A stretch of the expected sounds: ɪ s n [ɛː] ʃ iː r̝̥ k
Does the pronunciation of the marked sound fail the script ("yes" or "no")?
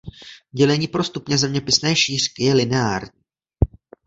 no